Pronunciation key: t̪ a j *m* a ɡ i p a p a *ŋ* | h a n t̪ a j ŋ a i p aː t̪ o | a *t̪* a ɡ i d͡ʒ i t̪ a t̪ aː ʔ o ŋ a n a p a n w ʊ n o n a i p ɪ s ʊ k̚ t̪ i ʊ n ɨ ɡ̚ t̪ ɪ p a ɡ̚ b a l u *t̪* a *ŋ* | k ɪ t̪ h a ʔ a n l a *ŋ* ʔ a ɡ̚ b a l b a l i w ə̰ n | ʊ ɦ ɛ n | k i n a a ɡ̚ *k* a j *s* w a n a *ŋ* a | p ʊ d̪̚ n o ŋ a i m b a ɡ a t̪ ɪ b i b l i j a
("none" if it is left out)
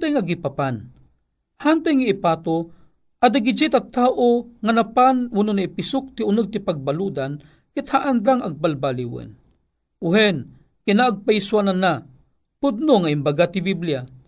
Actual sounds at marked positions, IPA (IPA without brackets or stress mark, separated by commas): ŋ, n, d̪, d̪, n, ŋ, p, s, n